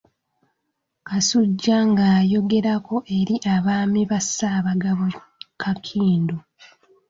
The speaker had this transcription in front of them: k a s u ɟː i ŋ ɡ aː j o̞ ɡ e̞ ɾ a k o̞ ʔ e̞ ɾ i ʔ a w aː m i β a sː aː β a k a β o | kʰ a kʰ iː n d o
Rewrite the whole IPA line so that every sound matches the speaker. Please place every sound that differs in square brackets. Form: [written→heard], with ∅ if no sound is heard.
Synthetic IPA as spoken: k a s u ɟː [i→a] ŋ ɡ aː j o̞ ɡ e̞ ɾ a k o̞ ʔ e̞ ɾ i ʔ a [w→β] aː m i β a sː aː β a [k→ɡ] a β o | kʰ a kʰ iː n d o